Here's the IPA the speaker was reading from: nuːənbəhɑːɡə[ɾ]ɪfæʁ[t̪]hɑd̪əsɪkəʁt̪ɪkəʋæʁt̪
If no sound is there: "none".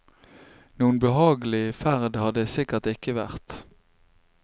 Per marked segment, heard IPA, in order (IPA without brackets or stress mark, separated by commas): l, d̪